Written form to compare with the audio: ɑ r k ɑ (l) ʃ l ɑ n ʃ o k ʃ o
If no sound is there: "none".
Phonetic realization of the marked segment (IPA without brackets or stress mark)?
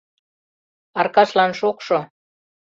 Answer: none